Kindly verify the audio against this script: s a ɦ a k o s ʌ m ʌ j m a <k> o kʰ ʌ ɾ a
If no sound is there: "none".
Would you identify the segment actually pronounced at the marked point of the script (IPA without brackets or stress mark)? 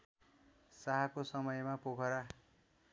p